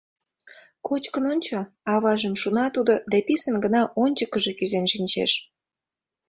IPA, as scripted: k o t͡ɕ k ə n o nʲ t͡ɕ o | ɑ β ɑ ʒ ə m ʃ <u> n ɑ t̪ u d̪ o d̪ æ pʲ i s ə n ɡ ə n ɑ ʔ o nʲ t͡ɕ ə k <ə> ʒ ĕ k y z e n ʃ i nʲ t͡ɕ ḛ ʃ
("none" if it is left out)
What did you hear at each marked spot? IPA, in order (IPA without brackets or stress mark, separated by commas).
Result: u, ə